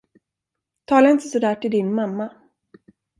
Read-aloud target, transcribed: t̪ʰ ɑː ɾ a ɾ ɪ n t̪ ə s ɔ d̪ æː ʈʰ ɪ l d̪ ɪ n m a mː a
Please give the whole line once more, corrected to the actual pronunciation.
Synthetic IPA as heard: t̪ʰ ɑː l a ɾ ɪ n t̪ ə s ɔ d̪ æː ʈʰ ɪ l d̪ ɪ n m a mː a